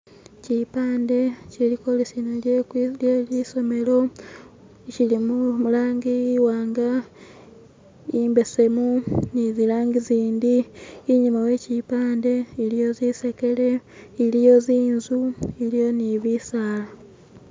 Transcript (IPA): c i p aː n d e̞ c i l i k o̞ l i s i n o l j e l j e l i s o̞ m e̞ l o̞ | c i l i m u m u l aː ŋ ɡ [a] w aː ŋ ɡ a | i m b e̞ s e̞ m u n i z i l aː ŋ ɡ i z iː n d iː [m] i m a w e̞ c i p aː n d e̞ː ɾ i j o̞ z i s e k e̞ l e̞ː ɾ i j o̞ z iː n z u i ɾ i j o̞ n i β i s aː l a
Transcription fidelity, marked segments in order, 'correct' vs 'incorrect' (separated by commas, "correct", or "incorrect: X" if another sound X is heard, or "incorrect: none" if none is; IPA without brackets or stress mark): incorrect: i, incorrect: ɲ